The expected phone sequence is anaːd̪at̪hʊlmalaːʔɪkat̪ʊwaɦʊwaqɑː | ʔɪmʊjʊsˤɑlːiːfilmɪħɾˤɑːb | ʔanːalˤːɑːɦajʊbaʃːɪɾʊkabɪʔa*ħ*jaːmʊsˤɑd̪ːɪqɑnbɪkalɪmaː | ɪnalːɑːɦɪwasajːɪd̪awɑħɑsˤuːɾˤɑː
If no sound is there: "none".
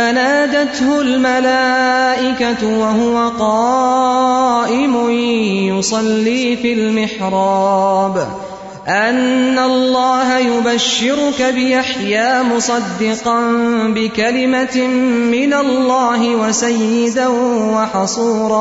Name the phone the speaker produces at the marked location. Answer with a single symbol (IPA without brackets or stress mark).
ħ